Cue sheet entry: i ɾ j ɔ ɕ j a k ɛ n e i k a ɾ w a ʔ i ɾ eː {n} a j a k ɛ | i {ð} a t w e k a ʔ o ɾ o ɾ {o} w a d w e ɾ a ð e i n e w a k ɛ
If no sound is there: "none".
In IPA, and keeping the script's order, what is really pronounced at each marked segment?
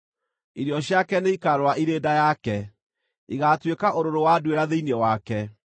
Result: d, ɣ, o

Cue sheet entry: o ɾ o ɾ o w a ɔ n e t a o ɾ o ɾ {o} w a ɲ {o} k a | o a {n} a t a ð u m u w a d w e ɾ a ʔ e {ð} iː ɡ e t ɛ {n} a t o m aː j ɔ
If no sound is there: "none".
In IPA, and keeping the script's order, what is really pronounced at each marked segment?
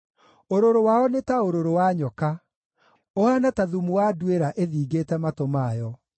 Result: o, ɔ, n, ð, m

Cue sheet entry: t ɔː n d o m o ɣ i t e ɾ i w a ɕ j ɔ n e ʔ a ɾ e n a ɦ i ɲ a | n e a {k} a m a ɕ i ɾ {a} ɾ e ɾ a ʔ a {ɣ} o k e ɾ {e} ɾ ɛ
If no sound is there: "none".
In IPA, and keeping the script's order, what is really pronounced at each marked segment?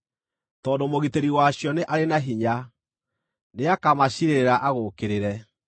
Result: k, e, ɣ, e

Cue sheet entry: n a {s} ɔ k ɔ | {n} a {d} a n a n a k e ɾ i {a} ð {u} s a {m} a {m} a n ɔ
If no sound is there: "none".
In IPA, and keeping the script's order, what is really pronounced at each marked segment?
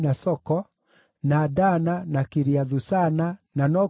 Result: s, n, d, a, u, n, n

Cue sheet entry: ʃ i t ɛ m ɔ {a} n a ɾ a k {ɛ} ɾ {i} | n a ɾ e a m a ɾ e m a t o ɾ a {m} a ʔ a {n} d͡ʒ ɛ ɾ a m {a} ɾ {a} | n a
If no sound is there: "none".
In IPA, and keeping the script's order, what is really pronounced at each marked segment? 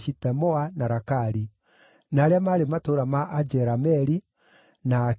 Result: a, a, i, m, none, ɛ, i

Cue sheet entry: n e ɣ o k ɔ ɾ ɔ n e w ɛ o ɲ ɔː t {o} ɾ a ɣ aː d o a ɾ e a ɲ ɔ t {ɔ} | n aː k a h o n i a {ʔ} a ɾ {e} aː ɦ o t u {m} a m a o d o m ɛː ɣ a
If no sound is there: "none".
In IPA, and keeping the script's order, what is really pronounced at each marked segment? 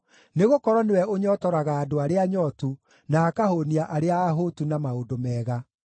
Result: ɔ, u, ʔ, e, n

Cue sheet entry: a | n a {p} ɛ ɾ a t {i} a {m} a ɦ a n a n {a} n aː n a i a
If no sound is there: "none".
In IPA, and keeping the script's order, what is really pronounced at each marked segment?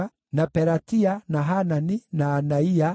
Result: p, i, n, i

